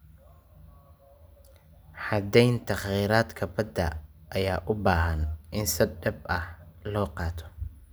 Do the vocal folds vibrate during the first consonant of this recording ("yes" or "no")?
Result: no